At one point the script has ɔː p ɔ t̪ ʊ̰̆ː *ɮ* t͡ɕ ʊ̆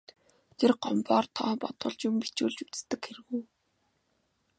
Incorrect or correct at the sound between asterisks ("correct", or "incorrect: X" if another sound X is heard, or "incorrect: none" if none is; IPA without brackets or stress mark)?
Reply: correct